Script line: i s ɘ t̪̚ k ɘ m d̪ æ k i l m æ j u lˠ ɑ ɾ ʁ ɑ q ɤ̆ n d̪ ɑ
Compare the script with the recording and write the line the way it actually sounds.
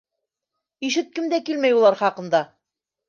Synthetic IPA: i ʃ ɘ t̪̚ k ɘ m d̪ æ k i l m æ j u lˠ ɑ ɾ χ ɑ q ɤ̆ n d̪ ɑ